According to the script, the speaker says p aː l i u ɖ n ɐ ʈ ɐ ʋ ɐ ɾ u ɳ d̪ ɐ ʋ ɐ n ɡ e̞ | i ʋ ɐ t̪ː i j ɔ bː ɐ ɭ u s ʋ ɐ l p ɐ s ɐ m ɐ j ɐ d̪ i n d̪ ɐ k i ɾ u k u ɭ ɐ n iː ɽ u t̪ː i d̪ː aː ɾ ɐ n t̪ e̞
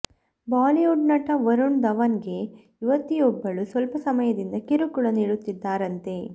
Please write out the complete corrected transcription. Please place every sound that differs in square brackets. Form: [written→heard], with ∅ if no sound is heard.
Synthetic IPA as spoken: [p→b] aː l i u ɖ n ɐ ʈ ɐ ʋ ɐ ɾ u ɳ d̪ ɐ ʋ ɐ n ɡ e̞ | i ʋ ɐ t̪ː i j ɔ bː ɐ ɭ u s ʋ ɐ l p ɐ s ɐ m ɐ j ɐ d̪ i n d̪ ɐ k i ɾ u k u ɭ ɐ n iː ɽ u t̪ː i d̪ː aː ɾ ɐ n t̪ e̞

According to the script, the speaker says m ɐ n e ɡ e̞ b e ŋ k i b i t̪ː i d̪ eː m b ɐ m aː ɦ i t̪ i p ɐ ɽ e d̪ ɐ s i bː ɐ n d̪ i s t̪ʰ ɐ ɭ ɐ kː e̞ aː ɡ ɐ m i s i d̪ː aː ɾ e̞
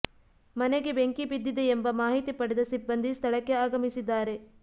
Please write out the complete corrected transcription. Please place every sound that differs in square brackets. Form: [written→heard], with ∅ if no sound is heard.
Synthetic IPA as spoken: m ɐ n e ɡ e̞ b e ŋ k i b i [t̪ː→d̪ː] i d̪ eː m b ɐ m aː ɦ i t̪ i p ɐ ɽ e d̪ ɐ s i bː ɐ n d̪ i s t̪ʰ ɐ ɭ ɐ kː e̞ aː ɡ ɐ m i s i d̪ː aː ɾ e̞

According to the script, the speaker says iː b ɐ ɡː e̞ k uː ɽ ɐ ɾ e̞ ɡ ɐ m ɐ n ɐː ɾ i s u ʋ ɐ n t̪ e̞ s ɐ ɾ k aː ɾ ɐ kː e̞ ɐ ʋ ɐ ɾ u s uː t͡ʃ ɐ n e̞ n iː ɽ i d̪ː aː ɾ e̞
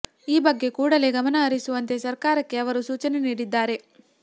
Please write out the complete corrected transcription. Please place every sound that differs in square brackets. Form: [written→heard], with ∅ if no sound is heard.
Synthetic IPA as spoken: iː b ɐ ɡː e̞ k uː ɽ ɐ [ɾ→l] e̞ ɡ ɐ m ɐ n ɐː ɾ i s u ʋ ɐ n t̪ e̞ s ɐ ɾ k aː ɾ ɐ kː e̞ ɐ ʋ ɐ ɾ u s uː t͡ʃ ɐ n e̞ n iː ɽ i d̪ː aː ɾ e̞

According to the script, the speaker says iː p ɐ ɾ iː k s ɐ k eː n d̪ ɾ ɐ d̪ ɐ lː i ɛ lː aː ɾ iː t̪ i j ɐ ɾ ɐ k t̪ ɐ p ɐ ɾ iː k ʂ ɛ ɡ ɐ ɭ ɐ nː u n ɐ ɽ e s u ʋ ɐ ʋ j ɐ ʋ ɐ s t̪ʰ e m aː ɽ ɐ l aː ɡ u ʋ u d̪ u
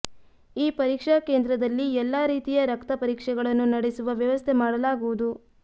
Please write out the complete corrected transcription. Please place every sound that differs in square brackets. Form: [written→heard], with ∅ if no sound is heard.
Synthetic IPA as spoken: iː p ɐ ɾ iː k [s→ʂ] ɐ k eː n d̪ ɾ ɐ d̪ ɐ lː i ɛ lː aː ɾ iː t̪ i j ɐ ɾ ɐ k t̪ ɐ p ɐ ɾ iː k ʂ ɛ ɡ ɐ ɭ ɐ nː u n ɐ ɽ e s u ʋ ɐ ʋ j ɐ ʋ ɐ s t̪ʰ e m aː ɽ ɐ l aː ɡ u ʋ u d̪ u

